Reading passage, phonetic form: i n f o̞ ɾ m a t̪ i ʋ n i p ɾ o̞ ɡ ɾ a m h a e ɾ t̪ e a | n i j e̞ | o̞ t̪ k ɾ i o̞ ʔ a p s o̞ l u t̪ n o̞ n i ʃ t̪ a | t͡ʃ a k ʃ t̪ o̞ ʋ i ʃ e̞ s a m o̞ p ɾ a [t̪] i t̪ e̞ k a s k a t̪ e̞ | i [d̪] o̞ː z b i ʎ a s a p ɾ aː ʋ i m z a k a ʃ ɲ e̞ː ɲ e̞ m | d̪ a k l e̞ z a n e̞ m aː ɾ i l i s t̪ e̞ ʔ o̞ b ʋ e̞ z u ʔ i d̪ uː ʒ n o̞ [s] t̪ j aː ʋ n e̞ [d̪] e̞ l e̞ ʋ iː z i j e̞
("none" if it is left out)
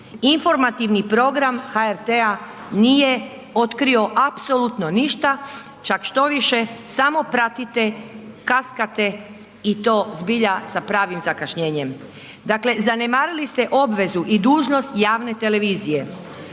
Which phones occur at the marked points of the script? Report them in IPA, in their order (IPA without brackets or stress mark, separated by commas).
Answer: t̪, t̪, s, t̪